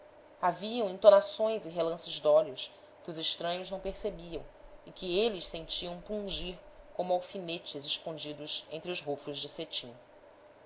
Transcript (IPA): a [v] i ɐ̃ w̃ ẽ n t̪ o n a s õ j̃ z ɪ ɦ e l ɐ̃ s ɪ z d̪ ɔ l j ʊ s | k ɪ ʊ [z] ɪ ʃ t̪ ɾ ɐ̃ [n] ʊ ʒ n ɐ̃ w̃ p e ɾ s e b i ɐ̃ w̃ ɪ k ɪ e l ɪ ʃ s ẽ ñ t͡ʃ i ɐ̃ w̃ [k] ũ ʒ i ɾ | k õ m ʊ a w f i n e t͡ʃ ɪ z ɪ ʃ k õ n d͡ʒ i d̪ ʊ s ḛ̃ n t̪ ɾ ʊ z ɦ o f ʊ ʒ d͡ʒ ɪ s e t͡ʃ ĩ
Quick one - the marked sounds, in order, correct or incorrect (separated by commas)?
correct, correct, incorrect, incorrect